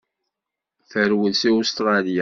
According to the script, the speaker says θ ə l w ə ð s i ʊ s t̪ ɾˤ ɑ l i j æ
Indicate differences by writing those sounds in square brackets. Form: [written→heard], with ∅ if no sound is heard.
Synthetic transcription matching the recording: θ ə [l→ɾ] w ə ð s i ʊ s t̪ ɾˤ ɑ l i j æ